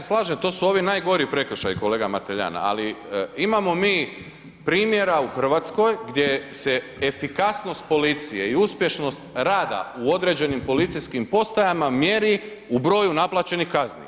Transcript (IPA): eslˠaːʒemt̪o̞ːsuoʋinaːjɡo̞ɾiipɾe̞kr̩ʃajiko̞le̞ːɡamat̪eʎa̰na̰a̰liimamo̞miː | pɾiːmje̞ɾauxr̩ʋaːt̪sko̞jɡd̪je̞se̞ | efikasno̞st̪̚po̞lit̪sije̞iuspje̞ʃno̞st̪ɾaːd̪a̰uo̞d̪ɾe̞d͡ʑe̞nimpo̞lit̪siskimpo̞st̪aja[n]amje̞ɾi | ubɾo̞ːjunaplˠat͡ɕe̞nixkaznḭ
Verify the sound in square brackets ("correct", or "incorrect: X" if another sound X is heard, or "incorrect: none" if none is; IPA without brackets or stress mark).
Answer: incorrect: m